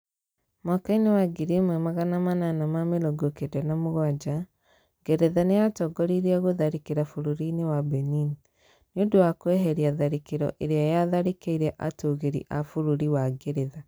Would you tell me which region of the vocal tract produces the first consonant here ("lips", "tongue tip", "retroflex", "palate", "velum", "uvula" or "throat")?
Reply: lips